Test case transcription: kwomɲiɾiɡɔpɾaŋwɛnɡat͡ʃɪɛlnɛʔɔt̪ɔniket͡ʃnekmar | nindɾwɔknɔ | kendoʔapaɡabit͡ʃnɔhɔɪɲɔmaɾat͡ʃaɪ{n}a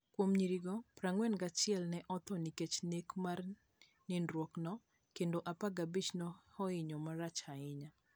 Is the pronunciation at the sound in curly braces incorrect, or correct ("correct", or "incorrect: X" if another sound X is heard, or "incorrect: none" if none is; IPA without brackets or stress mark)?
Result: incorrect: ɲ